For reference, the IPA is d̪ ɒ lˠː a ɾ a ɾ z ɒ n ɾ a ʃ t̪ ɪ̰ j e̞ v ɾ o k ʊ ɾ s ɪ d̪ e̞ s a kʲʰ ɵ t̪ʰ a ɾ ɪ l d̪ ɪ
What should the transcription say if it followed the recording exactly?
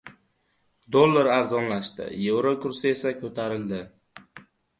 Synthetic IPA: d̪ o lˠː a ɾ a ɾ z ɒ n l a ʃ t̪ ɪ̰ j e̞ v ɾ o k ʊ ɾ s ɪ e̞ s a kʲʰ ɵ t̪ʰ a ɾ ɪ l d̪ ɪ